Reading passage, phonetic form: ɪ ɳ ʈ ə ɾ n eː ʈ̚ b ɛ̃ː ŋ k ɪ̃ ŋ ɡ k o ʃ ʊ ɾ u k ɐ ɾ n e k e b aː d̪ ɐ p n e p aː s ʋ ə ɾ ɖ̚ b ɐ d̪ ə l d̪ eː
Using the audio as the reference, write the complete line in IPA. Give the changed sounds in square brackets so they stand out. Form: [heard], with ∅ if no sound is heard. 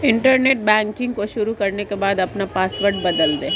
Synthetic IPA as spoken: ɪ ɳ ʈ ə ɾ n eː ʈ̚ b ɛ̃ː ŋ k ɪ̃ ŋ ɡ k o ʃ ʊ ɾ u k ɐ ɾ n e k e b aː d̪ ɐ p n [a] p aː s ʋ ə ɾ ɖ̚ b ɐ d̪ ə l d̪ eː